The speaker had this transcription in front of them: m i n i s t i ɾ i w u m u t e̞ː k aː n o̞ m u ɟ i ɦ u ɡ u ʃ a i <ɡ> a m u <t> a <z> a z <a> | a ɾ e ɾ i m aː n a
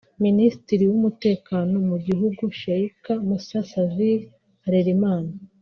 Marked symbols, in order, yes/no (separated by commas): no, no, no, no